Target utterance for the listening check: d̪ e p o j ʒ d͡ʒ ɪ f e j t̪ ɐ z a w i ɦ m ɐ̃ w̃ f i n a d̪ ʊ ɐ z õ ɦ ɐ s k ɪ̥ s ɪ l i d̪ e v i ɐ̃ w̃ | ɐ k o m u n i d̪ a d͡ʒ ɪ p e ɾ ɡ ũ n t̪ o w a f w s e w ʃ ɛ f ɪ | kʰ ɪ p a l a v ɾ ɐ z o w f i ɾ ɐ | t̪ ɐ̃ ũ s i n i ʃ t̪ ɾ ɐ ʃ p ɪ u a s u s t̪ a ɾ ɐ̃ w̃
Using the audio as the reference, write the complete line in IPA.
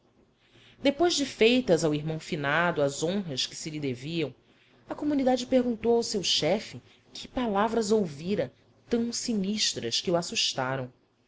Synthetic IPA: d̪ e p o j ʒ d͡ʒ ɪ f e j t̪ ɐ z a w i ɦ m ɐ̃ w̃ f i n a d̪ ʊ ɐ z õ ɦ ɐ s k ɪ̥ s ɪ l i d̪ e v i ɐ̃ w̃ | ɐ k o m u n i d̪ a d͡ʒ ɪ p e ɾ ɡ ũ n t̪ o w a w s e w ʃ ɛ f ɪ | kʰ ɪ p a l a v ɾ ɐ z o w v i ɾ ɐ | t̪ ɐ̃ w̃ s i n i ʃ t̪ ɾ ɐ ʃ k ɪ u a s u ʃ t̪ a ɾ ɐ̃ w̃